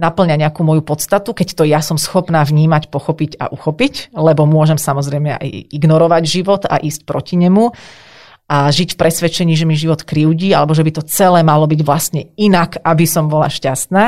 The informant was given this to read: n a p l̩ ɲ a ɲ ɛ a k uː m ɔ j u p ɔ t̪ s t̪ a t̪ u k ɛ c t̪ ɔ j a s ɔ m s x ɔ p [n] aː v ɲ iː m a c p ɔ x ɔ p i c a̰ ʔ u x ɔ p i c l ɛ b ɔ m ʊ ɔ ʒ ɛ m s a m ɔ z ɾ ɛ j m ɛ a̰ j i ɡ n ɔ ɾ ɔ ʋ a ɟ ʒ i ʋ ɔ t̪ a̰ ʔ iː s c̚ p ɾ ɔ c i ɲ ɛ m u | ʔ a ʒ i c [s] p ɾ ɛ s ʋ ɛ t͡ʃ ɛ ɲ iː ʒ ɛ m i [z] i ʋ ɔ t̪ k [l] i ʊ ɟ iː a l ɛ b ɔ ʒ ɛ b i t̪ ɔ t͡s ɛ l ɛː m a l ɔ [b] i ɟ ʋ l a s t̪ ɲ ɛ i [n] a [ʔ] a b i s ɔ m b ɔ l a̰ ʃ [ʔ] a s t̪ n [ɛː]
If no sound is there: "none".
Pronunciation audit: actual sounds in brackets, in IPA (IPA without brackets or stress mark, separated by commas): n, f, ʒ, ɾ, b, n, k, c, aː